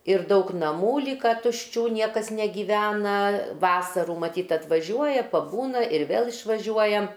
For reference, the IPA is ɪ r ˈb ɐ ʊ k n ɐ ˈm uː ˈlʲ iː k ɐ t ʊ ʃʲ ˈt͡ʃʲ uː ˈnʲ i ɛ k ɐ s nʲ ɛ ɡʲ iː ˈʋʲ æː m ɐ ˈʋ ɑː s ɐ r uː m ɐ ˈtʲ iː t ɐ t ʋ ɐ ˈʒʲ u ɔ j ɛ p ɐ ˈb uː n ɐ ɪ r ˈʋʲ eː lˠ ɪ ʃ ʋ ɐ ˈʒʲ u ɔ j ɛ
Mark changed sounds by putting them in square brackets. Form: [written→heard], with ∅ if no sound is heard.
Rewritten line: ɪ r [ˈb→ˈd] ɐ ʊ k n ɐ ˈm uː ˈlʲ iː k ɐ t ʊ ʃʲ ˈt͡ʃʲ uː ˈnʲ i ɛ k ɐ s nʲ ɛ ɡʲ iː ˈʋʲ æː [m→n] ɐ ˈʋ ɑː s ɐ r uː m ɐ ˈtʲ iː t ɐ t ʋ ɐ ˈʒʲ u ɔ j ɛ p ɐ ˈb uː n ɐ ɪ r ˈʋʲ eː lˠ ɪ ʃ ʋ ɐ ˈʒʲ u ɔ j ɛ